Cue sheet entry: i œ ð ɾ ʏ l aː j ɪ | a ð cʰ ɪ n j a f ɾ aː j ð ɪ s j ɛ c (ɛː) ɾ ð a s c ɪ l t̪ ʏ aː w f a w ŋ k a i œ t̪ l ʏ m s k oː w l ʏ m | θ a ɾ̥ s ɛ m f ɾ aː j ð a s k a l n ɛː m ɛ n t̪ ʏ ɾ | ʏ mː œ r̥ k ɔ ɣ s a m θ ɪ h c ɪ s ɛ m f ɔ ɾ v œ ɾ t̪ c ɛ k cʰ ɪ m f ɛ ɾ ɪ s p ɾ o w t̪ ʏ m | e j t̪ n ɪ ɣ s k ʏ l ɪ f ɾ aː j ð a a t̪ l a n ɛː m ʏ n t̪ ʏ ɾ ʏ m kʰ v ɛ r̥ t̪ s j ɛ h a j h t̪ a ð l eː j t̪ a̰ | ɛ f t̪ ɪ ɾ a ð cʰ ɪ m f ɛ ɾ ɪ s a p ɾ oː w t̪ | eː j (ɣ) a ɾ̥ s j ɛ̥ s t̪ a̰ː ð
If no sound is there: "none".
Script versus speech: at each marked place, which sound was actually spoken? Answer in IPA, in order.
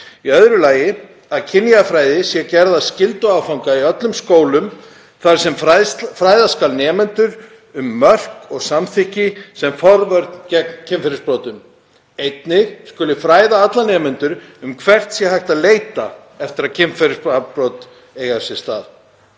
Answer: ɛ, ɣ

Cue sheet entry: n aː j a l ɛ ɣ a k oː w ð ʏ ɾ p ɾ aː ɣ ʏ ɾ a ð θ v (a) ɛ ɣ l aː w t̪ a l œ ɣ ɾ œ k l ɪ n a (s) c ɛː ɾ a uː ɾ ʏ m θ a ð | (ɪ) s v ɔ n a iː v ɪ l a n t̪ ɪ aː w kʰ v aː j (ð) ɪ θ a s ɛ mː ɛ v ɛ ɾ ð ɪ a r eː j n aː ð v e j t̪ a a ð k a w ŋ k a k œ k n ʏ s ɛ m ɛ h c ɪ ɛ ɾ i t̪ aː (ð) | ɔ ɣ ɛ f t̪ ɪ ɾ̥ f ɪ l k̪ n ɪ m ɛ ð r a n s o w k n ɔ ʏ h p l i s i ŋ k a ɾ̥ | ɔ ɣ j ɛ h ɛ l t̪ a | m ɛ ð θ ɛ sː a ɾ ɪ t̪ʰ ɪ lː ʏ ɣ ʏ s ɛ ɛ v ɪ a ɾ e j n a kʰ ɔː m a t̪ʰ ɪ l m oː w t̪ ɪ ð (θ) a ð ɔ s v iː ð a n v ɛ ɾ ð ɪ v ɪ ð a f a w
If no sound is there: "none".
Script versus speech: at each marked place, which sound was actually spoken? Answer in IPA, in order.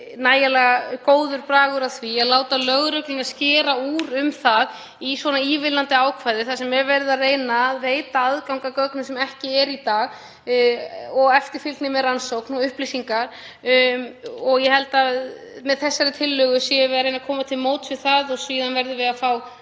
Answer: i, s, i, ð, ɣ, θ

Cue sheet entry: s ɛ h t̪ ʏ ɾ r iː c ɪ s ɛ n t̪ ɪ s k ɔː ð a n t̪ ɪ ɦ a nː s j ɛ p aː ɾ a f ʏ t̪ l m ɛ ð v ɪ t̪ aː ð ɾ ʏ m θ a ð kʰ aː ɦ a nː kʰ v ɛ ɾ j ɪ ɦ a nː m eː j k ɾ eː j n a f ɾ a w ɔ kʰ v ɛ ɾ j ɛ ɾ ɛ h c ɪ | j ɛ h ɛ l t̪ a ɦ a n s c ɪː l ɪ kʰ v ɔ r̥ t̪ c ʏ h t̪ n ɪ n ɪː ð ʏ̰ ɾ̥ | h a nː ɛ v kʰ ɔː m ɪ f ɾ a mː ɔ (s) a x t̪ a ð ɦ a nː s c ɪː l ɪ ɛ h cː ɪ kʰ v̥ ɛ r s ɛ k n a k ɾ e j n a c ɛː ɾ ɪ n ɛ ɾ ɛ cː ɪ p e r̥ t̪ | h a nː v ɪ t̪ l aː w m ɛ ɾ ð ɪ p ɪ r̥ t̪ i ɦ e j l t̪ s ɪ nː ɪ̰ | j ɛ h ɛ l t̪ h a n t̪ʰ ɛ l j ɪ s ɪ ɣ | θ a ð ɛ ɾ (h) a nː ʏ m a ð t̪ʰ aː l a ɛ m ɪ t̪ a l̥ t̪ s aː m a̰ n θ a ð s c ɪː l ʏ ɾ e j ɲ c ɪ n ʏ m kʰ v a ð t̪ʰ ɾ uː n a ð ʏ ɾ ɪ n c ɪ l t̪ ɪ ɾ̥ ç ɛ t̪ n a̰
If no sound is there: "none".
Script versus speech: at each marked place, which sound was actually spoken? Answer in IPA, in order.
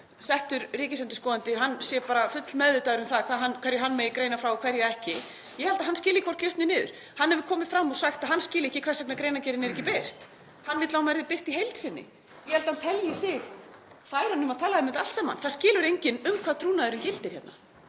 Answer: s, h

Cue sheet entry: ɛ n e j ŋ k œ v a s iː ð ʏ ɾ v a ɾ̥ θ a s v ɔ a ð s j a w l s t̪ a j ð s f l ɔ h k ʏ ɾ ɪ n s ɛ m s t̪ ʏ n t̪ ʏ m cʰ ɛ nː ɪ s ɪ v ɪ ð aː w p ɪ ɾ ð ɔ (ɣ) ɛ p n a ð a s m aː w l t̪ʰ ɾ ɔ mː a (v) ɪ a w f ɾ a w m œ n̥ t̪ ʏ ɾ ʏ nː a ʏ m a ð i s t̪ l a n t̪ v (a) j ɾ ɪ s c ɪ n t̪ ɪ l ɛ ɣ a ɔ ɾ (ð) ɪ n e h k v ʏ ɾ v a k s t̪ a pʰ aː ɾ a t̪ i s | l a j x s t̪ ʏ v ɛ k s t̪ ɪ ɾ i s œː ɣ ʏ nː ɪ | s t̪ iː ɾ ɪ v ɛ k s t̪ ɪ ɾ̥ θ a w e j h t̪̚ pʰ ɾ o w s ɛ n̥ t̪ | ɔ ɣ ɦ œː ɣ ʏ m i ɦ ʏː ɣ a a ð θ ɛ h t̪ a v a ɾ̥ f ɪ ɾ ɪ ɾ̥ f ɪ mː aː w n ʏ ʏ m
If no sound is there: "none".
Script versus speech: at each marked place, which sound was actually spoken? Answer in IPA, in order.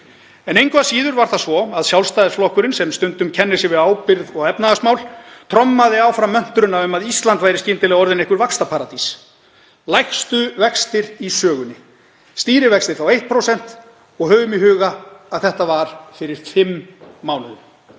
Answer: ɣ, ð, a, ð

